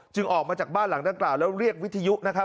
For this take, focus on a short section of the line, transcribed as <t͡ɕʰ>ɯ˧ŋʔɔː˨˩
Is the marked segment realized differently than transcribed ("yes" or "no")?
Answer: yes